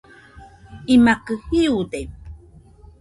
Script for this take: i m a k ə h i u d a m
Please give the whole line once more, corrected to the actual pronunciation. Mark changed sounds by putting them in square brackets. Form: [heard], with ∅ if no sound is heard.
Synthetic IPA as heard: i m a k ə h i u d [e] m